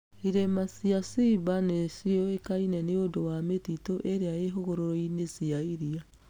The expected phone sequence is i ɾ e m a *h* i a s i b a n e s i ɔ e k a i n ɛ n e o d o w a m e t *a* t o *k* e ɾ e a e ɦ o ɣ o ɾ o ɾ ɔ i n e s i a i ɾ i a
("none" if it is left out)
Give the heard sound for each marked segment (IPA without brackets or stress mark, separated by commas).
s, i, ʔ